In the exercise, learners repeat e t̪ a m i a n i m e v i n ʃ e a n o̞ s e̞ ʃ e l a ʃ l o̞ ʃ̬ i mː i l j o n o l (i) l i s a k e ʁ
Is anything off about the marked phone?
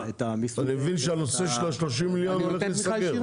yes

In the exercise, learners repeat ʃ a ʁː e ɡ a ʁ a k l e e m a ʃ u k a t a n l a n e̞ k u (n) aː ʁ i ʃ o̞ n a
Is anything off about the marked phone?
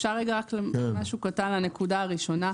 yes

